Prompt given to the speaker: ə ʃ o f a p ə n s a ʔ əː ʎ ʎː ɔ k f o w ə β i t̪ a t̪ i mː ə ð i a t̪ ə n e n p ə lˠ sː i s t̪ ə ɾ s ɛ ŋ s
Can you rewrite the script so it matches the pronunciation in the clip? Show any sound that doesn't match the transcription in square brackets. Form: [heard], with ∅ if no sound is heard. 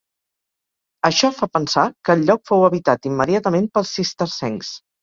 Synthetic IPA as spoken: ə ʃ [ɔ] f a p ə n s a [k] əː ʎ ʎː ɔ k f o w ə β i t̪ a t̪ i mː ə ð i a t̪ ə [m] e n p ə lˠ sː i s t̪ ə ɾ s ɛ ŋ s